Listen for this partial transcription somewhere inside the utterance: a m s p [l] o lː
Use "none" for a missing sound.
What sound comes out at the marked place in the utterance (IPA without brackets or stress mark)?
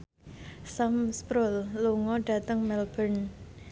ɾ